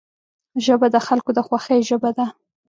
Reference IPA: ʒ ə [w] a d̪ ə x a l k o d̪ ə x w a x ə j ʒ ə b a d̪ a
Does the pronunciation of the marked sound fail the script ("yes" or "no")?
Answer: yes